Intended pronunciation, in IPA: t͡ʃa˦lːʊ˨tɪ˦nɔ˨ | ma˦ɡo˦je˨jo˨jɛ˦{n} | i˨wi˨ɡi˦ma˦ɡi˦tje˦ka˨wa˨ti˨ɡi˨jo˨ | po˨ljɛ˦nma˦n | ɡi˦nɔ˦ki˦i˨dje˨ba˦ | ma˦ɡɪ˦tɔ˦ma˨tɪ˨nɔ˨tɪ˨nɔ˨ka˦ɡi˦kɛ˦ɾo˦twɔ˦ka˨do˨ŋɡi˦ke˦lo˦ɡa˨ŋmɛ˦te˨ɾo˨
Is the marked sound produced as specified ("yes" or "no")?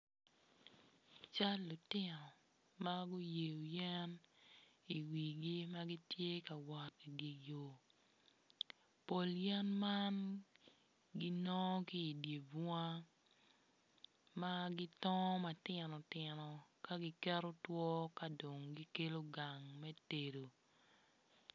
yes